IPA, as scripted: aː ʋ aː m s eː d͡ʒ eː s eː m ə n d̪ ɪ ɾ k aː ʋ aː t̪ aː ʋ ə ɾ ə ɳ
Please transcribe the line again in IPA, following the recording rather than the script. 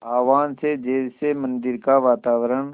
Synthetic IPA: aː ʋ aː n s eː d͡ʒ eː s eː m ə n d̪ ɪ ɾ k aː ʋ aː t̪ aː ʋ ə ɾ ə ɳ